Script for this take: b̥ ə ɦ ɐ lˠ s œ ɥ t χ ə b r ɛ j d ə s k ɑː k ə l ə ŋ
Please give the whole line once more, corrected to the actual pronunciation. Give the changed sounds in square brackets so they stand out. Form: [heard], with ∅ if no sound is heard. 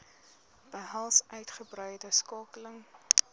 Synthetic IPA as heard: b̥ ə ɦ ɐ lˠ s œ ɥ t χ ə b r [œ] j d ə s k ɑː k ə l ə ŋ

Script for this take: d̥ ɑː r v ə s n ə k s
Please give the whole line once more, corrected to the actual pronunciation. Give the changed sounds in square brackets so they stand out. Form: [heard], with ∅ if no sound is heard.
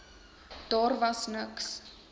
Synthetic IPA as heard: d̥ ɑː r v [ɐ] s n ə k s

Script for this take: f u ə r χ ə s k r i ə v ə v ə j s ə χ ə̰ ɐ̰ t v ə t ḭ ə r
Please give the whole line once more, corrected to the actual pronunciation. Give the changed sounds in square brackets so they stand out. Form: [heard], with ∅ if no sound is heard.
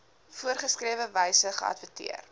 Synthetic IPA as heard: f u ə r χ ə s k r i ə v ə v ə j s ə χ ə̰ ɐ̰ t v ə t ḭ ə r

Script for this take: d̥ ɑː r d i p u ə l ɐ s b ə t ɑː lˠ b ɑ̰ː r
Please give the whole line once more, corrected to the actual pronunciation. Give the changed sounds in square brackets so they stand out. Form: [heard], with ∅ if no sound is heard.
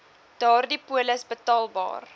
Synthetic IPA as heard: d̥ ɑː r d i p u ə l [ə] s b ə t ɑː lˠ b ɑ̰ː r

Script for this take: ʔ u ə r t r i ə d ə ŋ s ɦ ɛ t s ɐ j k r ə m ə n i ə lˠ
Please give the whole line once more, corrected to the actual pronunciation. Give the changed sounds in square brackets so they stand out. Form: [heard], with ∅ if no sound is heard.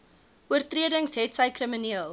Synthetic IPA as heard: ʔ u ə r t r i ə d ə ŋ s ɦ ɛ t s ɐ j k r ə m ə n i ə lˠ

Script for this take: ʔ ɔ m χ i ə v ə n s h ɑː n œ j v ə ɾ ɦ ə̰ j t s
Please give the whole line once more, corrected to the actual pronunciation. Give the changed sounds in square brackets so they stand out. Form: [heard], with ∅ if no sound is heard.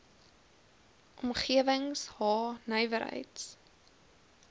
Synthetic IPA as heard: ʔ ɔ m χ i ə v ə [ŋ] s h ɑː n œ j v ə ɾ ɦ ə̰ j t s

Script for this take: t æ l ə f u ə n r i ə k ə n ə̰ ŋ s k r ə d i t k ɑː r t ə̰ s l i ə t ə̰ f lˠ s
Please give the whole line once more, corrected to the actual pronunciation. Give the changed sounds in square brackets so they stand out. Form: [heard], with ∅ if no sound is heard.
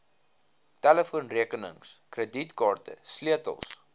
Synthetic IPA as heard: t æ l ə f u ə n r i ə k ə n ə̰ ŋ s k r ə d i t k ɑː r t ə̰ s l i ə t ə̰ [∅] lˠ s

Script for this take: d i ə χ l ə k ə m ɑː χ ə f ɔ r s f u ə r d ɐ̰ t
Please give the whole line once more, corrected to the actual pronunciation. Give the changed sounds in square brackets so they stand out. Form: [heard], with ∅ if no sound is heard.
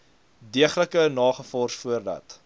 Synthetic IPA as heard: d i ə χ l ə k ə [n] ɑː χ ə f ɔ r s f u ə r d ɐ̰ t

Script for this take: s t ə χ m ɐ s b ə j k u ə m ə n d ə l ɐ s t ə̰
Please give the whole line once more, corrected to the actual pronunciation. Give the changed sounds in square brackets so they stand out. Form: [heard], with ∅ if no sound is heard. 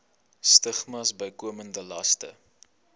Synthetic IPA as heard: s t ə χ m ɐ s b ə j k u ə m ə n d ə l ɐ s t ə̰

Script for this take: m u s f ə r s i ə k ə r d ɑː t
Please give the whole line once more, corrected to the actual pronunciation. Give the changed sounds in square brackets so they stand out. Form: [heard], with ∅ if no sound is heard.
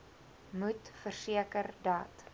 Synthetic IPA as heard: m u [t] f ə r s i ə k ə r d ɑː t

